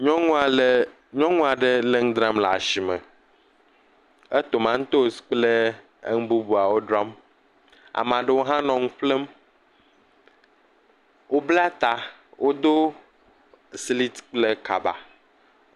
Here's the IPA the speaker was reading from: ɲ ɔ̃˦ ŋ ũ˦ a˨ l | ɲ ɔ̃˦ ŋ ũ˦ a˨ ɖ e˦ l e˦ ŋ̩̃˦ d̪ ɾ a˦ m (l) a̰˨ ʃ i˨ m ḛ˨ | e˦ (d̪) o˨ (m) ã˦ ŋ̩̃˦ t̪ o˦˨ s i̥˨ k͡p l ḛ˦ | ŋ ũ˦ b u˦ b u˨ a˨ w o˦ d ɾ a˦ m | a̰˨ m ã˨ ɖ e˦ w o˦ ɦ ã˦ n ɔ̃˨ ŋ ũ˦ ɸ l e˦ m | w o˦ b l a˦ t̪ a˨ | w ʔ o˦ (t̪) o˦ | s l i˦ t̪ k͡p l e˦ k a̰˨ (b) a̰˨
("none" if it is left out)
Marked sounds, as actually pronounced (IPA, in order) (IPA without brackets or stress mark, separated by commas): l, t̪, m, d̪, b